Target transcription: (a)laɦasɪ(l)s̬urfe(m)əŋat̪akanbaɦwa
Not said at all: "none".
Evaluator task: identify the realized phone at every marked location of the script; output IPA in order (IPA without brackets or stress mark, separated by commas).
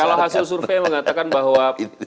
a, l, m